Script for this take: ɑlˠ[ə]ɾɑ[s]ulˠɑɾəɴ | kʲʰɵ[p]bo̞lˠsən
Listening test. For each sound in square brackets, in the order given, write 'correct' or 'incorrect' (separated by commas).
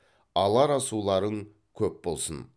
incorrect, correct, correct